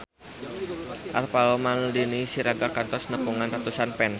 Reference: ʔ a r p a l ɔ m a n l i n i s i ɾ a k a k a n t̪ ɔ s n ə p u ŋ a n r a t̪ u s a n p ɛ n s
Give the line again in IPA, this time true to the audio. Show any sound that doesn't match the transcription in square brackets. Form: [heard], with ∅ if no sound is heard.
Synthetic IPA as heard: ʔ a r p a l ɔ m a n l i n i s i ɾ a [ɡ] a k a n t̪ ɔ s n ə p u ŋ a n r a t̪ u s a n p ɛ n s